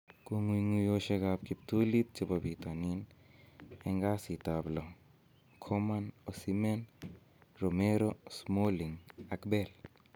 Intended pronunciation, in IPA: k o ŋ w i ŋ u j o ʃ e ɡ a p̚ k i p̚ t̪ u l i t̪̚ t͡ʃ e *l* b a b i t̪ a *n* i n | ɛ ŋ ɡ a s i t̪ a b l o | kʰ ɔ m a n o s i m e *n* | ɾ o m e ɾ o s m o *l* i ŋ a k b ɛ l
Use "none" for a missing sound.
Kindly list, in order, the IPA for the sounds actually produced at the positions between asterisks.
none, n, n, l

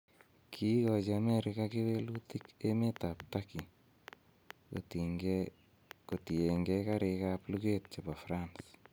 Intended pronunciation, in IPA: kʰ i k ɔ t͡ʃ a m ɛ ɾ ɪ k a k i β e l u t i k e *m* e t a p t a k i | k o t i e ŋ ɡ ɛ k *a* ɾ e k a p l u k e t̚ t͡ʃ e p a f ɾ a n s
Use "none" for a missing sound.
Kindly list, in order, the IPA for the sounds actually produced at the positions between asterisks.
m, a

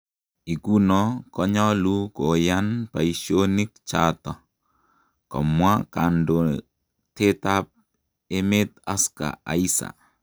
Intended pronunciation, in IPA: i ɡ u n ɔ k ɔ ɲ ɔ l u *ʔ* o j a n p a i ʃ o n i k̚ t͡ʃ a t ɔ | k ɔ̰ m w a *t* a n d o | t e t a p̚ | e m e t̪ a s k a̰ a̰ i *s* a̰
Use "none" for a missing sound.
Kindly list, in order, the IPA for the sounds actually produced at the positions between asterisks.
k, k, s

